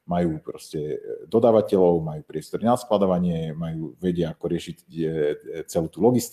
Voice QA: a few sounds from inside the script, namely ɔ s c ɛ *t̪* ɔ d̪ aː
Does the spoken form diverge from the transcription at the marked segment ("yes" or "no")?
yes